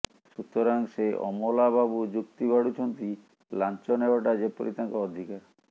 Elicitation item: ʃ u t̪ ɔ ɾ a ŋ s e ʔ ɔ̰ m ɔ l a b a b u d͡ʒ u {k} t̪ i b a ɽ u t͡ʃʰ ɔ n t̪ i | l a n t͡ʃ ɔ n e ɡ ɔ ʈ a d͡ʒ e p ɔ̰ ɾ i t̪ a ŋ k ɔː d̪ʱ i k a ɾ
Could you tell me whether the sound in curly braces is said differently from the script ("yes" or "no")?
no